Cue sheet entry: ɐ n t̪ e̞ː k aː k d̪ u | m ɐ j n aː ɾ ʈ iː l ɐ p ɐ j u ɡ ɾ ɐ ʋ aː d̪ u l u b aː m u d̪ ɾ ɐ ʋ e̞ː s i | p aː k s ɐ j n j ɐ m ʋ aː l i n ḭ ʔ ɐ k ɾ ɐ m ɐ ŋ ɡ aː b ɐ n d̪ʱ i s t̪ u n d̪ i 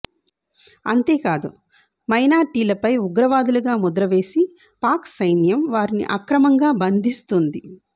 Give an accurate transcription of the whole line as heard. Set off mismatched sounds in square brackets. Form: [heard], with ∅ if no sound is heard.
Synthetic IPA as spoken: ɐ n t̪ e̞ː k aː [∅] d̪ u | m ɐ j n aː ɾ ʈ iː l ɐ p ɐ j u ɡ ɾ ɐ ʋ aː d̪ u l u [ɡ] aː m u d̪ ɾ ɐ ʋ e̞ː s i | p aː k s ɐ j n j ɐ m ʋ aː [ɾ] i n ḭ ʔ ɐ k ɾ ɐ m ɐ ŋ ɡ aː b ɐ n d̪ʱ i s t̪ u n d̪ i